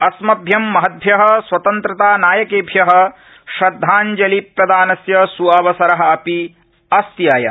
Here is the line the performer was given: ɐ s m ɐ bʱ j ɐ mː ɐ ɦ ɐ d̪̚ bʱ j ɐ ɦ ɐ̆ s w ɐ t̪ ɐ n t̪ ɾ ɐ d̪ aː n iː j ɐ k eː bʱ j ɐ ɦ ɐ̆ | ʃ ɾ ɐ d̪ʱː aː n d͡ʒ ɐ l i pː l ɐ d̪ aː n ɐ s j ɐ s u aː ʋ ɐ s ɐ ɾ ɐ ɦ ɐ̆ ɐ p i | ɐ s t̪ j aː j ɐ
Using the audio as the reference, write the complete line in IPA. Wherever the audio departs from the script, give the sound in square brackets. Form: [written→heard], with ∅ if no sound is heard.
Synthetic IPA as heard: ɐ s m ɐ bʱ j ɐ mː ɐ ɦ ɐ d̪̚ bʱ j ɐ ɦ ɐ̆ s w ɐ t̪ ɐ n t̪ ɾ ɐ [d̪→t̪] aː n [iː→aː] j ɐ k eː bʱ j ɐ ɦ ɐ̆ | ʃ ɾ ɐ d̪ʱː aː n d͡ʒ ɐ l i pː [l→ɾ] ɐ d̪ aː n ɐ s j ɐ s u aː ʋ ɐ s ɐ ɾ ɐ ɦ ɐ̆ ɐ p i | ɐ s t̪ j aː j ɐ